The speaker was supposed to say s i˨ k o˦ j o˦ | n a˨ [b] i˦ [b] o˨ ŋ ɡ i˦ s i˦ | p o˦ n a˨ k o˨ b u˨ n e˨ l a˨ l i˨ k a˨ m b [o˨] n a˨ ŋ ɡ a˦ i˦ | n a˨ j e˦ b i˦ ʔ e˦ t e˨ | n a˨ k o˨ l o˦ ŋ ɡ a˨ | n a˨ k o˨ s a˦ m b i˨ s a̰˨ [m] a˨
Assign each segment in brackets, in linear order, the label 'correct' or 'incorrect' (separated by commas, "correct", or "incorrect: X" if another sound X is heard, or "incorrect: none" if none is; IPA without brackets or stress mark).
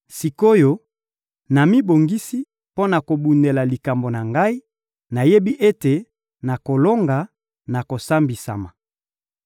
incorrect: m, correct, correct, correct